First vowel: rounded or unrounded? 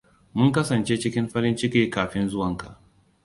rounded